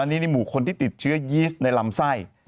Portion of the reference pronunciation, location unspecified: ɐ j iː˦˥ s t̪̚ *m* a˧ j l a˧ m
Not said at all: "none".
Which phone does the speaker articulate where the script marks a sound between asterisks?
n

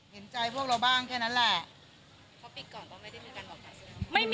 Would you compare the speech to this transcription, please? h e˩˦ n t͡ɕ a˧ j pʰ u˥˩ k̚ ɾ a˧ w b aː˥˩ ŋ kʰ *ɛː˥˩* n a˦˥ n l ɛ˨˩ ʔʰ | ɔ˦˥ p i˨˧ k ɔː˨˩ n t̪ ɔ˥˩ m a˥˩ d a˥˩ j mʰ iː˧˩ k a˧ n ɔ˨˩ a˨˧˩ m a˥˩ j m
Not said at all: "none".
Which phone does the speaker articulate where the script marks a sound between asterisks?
ɛː˥˩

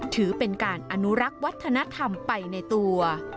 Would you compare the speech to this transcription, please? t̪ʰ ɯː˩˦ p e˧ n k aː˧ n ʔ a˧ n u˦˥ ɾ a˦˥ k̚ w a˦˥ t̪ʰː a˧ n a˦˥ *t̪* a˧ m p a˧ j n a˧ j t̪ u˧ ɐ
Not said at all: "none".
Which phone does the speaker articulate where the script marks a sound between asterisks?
t̪ʰ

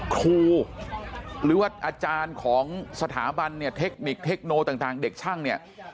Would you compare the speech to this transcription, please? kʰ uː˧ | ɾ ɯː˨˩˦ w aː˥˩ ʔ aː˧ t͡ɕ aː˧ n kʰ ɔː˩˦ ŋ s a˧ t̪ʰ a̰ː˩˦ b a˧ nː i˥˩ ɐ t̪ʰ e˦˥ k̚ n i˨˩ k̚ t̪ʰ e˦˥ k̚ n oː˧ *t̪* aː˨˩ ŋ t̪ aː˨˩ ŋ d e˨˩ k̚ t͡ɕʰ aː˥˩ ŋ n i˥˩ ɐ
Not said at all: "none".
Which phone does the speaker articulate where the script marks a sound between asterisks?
t̪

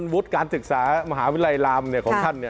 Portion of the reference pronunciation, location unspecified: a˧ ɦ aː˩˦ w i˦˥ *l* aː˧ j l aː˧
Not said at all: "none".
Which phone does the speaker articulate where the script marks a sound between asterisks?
l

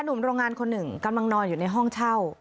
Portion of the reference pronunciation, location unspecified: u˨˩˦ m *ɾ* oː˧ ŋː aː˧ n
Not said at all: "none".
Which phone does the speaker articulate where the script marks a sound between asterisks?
ɾ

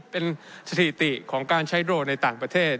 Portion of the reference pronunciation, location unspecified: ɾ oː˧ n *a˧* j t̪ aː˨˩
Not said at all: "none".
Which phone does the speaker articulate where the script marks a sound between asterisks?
a˧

